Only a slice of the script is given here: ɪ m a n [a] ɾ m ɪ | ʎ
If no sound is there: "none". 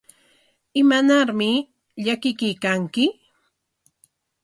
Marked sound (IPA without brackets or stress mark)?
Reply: a